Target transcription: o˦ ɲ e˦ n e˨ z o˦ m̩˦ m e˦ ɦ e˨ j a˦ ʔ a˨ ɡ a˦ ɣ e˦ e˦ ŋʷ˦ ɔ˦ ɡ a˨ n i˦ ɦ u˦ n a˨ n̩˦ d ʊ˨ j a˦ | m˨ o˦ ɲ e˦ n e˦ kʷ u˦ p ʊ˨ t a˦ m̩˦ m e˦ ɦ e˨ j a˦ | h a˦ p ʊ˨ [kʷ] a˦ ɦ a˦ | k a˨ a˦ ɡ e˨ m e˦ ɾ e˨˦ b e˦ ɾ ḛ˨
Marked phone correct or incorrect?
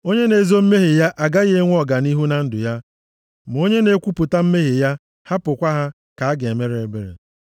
correct